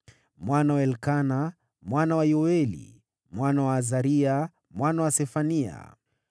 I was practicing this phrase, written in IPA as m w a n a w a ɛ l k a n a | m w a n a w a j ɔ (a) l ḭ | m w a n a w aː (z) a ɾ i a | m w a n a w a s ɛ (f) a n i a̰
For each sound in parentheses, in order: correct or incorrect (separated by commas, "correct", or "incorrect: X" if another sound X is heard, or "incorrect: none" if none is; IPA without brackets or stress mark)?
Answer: incorrect: ɛ, correct, correct